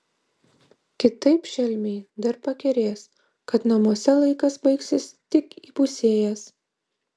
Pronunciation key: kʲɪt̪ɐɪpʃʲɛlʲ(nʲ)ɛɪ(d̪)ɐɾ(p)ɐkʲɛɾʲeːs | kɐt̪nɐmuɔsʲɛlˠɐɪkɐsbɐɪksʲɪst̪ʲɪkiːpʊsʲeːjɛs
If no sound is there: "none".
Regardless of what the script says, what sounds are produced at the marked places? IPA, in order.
mʲ, d̪, p

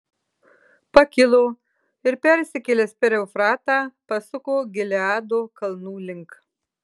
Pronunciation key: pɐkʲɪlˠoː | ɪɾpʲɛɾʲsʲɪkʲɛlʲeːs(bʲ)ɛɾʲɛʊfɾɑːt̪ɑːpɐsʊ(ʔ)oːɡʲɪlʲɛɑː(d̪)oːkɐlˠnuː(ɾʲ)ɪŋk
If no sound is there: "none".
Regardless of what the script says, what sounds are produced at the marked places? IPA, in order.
pʲ, k, d̪, lʲ

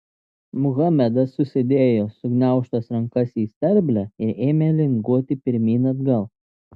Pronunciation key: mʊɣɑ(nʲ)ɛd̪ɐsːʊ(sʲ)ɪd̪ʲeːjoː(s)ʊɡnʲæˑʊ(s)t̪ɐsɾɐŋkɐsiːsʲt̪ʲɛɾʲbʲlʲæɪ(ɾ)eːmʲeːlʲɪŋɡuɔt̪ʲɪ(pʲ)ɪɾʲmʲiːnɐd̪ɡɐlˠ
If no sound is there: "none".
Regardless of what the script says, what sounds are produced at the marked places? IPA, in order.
mʲ, sʲ, s, ʃ, ɾ, pʲ

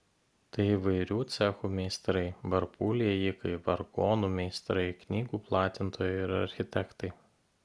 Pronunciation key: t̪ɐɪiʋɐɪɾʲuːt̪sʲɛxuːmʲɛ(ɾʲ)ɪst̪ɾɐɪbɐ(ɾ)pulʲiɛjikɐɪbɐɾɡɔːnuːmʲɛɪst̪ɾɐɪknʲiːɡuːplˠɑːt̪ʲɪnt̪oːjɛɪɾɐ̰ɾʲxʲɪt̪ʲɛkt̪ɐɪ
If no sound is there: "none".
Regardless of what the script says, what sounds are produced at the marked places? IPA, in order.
none, ɾ

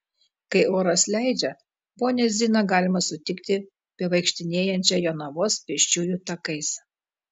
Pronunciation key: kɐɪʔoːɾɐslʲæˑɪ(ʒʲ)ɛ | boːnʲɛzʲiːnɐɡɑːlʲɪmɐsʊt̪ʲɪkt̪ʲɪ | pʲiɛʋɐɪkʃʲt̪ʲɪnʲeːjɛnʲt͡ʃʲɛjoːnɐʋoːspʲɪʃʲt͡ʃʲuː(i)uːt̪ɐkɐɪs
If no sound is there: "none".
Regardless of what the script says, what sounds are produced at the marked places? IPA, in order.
d͡ʒʲ, j

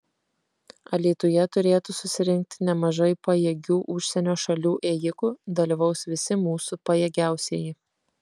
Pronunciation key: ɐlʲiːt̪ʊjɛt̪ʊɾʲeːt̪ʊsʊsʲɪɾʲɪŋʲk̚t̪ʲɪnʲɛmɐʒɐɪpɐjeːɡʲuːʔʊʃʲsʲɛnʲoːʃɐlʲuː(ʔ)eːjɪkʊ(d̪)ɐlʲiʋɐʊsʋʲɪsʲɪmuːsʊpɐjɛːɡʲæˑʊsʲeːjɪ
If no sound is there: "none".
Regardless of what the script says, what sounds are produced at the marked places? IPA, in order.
ʔ, d̪

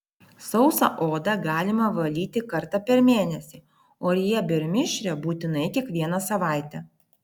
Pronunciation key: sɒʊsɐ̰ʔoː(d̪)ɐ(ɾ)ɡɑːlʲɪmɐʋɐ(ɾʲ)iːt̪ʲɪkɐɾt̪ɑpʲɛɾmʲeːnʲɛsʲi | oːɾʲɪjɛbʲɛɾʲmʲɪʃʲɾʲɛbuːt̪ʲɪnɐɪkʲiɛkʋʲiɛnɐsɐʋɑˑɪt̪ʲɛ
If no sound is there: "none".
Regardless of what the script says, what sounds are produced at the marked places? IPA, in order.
d̪, none, lʲ

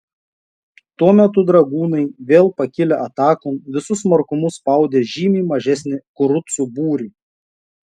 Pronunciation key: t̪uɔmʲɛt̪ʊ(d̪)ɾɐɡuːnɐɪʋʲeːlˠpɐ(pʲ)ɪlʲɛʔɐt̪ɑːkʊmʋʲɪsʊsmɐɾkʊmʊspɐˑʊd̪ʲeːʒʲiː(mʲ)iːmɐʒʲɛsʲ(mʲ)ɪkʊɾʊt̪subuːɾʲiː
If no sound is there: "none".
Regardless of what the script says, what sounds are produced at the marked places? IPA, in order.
d̪, kʲ, mʲ, nʲ

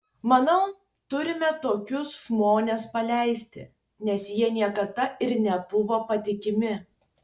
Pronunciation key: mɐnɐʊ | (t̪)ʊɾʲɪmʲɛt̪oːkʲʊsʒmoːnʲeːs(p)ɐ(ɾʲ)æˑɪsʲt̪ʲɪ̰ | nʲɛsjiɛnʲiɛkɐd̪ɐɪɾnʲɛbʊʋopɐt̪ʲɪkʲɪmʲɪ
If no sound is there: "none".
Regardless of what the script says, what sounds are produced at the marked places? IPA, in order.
t̪, p, lʲ

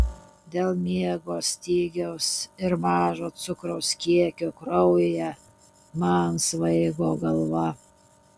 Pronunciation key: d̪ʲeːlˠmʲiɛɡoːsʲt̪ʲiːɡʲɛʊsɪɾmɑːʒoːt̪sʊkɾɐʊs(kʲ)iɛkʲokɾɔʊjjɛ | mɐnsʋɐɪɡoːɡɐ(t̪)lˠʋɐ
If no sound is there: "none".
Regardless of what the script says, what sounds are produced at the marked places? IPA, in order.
kʲ, none

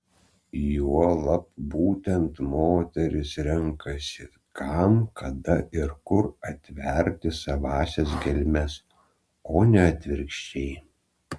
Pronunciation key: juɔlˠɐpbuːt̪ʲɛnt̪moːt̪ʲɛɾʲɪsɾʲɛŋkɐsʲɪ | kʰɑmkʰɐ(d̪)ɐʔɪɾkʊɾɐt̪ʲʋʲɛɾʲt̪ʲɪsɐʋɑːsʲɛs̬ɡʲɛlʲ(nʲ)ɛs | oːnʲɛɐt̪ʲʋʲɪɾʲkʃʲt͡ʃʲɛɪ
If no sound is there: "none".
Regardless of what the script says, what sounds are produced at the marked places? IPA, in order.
d̪, mʲ

